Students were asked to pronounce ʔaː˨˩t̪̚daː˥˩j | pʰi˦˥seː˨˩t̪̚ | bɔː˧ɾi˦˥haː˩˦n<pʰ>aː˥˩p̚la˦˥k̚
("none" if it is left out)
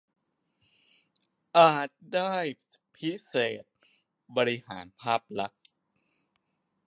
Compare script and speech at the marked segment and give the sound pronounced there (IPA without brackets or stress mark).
pʰ